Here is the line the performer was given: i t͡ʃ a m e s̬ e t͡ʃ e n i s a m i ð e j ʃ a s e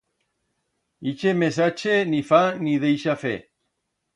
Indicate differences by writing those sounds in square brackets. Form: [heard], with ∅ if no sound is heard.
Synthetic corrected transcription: i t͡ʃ [e] m e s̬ [a] t͡ʃ e n i [f] a [n] i ð e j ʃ a [f] e